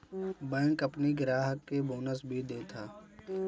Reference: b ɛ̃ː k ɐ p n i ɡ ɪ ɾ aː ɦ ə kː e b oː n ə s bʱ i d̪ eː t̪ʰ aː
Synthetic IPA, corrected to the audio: b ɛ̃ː k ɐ p n i ɡ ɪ ɾ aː ɦ ə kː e b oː n ə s bʱ i d̪ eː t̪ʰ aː

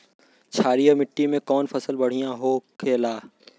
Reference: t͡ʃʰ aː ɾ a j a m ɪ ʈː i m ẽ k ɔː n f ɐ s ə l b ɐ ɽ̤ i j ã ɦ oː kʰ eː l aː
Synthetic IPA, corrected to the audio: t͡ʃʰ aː ɾ i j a m ɪ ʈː i m ẽ k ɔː n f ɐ s ə l b ɐ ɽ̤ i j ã ɦ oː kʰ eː l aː

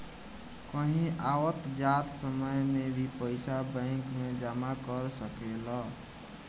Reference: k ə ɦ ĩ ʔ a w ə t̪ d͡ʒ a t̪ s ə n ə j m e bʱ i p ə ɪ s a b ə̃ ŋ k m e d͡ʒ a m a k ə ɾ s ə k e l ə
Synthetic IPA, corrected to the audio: k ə ɦ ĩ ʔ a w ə t̪ d͡ʒ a t̪ s ə m ə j m e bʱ i p ə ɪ s a b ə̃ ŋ k m e d͡ʒ a m a k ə ɾ s ə k e l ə

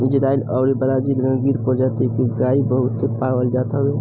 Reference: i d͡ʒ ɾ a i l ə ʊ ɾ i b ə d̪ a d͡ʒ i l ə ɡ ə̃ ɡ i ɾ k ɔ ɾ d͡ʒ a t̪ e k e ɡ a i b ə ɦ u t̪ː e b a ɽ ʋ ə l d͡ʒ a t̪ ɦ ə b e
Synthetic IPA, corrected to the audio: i d͡ʒ ɾ a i l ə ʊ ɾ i b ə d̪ a d͡ʒ i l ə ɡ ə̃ ɡ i ɾ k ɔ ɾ d͡ʒ a t̪ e k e ɡ a i b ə ɦ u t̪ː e p a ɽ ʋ ə l d͡ʒ a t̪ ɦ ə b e

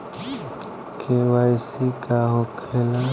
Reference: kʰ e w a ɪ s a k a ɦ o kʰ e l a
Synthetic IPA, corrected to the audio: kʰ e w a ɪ s i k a ɦ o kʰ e l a

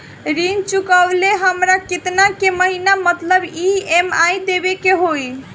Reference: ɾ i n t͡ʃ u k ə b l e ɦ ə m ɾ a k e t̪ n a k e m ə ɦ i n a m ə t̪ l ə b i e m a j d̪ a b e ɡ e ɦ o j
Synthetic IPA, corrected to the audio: ɾ i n t͡ʃ u k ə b l e ɦ ə m ɾ a k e t̪ n a k e m ə ɦ i n a m ə t̪ l ə b i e m a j d̪ e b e k e ɦ o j

